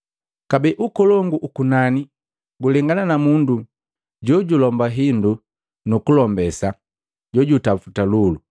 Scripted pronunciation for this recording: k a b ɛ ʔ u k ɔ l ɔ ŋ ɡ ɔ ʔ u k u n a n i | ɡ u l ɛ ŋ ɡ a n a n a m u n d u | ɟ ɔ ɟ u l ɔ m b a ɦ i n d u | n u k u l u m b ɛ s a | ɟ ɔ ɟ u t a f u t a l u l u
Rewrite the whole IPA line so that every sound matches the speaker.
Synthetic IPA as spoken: k a b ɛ ʔ u k ɔ l ɔ ŋ ɡ u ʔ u k u n a n i | ɡ u l ɛ ŋ ɡ a n a n a m u n d u | ɟ ɔ ɟ u l ɔ m b a ɦ i n d u | n u k u l ɔ m b ɛ s a | ɟ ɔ ɟ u t a f u t a l u l u

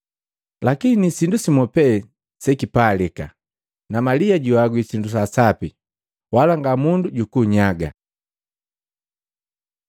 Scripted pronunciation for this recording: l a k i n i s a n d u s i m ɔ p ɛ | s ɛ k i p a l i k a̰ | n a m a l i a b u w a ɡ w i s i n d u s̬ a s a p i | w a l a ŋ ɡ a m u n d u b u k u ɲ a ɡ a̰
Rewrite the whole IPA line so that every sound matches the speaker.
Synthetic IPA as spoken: l a k i n i s i n d u s i m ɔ p ɛ | s ɛ k i p a l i k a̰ | n a m a l i a ɟ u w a ɡ w i s i n d u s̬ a s a p i | w a l a ŋ ɡ a m u n d u ɟ u k u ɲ a ɡ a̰

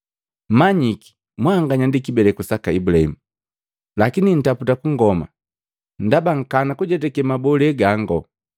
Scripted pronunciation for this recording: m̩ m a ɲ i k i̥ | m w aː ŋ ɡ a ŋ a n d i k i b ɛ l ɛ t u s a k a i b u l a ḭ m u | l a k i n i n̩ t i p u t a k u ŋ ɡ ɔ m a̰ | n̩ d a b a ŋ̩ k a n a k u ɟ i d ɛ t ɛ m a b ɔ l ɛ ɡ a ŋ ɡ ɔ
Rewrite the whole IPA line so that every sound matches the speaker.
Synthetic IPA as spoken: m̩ m a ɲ i k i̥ | m w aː ŋ ɡ a ɲ a n d i k i b ɛ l ɛ k u s a k a i b u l a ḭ m u | l a k i n i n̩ t a p u t a k u ŋ ɡ ɔ m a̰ | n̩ d a b a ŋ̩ k a n a k u ɟ ɛ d ɛ k ɛ m a b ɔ l ɛ ɡ a ŋ ɡ ɔ

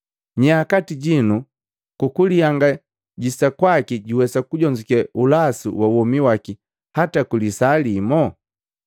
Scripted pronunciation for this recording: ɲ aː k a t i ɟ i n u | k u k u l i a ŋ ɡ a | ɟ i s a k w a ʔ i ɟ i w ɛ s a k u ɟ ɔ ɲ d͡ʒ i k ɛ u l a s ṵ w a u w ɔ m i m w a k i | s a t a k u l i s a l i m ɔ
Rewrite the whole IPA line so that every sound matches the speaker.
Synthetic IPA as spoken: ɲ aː k a t i ɟ i n u | k u k u l i a ŋ ɡ a | ɟ i s a k w a k i ɟ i w ɛ s a k u ɟ ɔ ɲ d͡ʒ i k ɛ u l a s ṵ w a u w ɔ m i w a k i | h a t a k u l i s a l i m ɔ

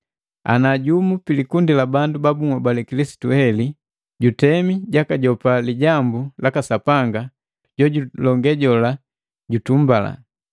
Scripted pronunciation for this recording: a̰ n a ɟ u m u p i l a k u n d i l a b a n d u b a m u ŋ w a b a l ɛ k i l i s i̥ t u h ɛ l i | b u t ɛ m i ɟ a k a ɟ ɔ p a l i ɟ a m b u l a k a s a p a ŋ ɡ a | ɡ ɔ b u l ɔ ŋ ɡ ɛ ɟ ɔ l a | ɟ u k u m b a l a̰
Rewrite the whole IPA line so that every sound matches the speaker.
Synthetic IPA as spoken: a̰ n a ɟ u m u p i l i k u n d i l a b a n d u b a b u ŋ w a b a l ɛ k i l i s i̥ t u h ɛ l i | ɟ u t ɛ m i ɟ a k a ɟ ɔ p a l i ɟ a m b u l a k a s a p a ŋ ɡ a | ɟ ɔ ɟ u l ɔ ŋ ɡ ɛ ɟ ɔ l a | ɟ u t u m b a l a̰

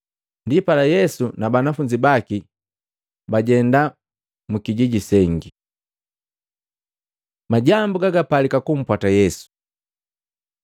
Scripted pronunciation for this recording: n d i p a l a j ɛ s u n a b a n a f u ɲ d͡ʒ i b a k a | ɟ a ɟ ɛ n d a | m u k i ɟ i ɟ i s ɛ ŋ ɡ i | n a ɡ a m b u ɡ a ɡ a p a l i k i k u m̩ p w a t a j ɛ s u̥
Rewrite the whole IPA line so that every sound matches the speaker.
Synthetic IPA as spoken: n d i p a l a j ɛ s u n a b a n a f u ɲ d͡ʒ i b a k i | b a ɟ ɛ n d a | m u k i ɟ i ɟ i s ɛ ŋ ɡ i | m a ɟ a m b u ɡ a ɡ a p a l i k a k u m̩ p w a t a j ɛ s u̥

